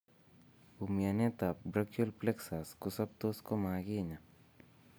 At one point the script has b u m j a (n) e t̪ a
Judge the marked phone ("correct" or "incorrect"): correct